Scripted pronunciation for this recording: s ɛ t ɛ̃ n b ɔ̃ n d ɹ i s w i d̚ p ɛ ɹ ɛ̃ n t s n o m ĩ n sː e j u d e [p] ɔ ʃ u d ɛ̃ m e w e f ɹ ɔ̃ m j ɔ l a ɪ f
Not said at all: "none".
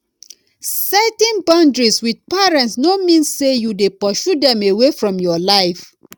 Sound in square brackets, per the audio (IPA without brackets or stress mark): p